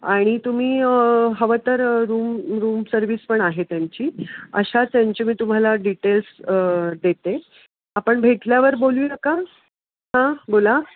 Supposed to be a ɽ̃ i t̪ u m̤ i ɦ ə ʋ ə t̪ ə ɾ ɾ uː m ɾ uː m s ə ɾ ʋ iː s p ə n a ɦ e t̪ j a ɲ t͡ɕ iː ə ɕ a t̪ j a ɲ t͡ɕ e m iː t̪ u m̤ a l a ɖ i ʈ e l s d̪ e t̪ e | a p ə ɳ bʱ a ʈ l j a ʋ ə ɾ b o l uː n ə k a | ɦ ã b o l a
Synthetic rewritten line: a ɽ̃ i t̪ u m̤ iː ɦ ə ʋ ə t̪ ə ɾ ɾ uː m ɾ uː m s ə ɾ ʋ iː s p ə ɳ a ɦ e t̪ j a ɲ t͡ɕ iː ə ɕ a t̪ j a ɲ t͡ɕ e m iː t̪ u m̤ a l a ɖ i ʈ e l s d̪ e t̪ e | a p ə ɳ bʱ e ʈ l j a ʋ ə ɾ b o l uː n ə k a | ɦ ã b o l a